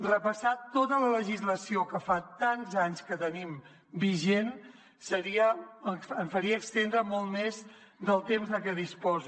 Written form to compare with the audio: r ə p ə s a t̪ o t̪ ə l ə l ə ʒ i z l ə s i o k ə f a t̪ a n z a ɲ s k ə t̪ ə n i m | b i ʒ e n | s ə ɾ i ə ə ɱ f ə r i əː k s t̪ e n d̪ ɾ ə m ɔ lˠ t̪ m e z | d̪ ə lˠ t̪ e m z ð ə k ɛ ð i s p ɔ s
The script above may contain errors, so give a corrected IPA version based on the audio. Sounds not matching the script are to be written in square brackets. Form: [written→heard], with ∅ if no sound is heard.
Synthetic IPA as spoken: r ə p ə s a t̪ o t̪ ə l ə l ə ʒ i z l ə s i o k ə f a t̪ a n z a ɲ s k ə t̪ ə n i m | b i ʒ e n | s ə ɾ i ə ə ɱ f ə [r→ɾ] i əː k s t̪ e n d̪ ɾ ə m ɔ lˠ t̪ m e z | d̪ ə lˠ t̪ e m z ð ə k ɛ ð i s p ɔ [s→z]